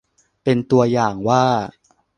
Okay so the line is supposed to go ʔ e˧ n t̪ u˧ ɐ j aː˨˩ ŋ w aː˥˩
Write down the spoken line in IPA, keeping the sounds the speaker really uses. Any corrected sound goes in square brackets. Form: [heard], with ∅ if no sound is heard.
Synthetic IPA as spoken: [p] e˧ n t̪ u˧ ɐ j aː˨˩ ŋ w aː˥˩